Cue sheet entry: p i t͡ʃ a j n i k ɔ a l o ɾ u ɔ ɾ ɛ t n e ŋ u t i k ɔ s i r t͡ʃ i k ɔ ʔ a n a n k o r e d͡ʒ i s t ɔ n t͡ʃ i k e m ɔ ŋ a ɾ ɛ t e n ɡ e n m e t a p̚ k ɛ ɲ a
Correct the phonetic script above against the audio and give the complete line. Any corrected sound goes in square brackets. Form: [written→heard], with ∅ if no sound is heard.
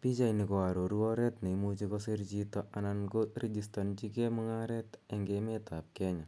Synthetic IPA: p i t͡ʃ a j n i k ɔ a [l→ɾ] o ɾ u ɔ ɾ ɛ t n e [ŋ→m] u [t→t͡ʃ] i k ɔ s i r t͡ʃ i [k→t] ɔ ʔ a n a n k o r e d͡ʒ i s t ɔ n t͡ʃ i k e m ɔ ŋ a ɾ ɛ t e [n→ŋ] ɡ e [n→∅] m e t a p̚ k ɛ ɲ a

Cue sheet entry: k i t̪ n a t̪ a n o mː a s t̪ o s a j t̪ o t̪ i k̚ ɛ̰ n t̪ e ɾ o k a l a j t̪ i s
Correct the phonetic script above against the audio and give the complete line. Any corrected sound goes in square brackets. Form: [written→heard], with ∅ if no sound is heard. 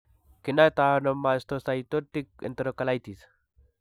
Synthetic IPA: k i [t̪→∅] n a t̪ a n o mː a s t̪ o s a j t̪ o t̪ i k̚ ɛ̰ n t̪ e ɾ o k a l a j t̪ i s

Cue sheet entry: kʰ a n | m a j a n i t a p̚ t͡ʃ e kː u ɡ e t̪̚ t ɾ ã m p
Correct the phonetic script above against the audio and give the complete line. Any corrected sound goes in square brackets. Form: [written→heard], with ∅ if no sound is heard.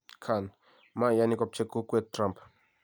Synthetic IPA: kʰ a n | m a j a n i [t→k] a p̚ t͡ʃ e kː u [ɡ→k] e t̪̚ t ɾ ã m p

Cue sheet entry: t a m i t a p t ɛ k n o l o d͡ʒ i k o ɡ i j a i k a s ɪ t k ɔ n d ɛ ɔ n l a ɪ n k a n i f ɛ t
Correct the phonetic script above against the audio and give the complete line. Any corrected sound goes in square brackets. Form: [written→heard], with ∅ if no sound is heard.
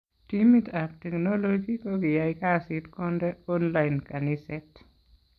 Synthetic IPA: t [a→i] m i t a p t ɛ k n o l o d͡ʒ i k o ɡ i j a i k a s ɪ t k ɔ n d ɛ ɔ n l a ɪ n k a n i [f→s] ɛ t

